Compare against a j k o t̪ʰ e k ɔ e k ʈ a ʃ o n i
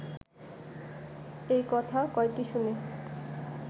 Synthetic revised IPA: e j k ɔ t̪ʰ a k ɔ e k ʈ i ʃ u n e